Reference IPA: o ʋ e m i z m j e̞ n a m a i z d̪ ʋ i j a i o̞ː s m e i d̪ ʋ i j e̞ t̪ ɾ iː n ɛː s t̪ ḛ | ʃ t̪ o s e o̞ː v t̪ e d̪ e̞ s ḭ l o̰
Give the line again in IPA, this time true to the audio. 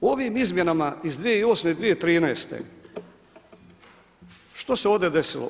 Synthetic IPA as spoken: o ʋ i m i z m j e̞ n a m a i z d̪ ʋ i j e i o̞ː s m e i d̪ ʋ i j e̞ t̪ ɾ iː n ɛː s t̪ ḛ | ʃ t̪ o s e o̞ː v d̪ e d̪ e̞ s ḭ l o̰